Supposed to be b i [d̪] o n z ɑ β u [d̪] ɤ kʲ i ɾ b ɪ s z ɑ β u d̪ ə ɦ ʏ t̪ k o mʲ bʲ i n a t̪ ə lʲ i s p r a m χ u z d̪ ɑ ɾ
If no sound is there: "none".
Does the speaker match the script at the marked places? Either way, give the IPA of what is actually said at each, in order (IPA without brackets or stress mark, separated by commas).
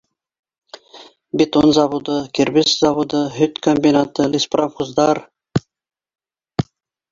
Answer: t̪, d̪